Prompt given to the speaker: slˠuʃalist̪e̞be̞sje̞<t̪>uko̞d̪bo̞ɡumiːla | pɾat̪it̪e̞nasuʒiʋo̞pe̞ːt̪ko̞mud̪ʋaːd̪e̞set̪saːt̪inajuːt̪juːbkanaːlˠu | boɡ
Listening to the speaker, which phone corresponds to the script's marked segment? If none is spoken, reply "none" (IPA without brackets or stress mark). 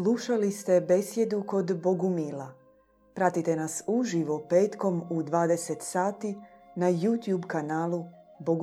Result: d̪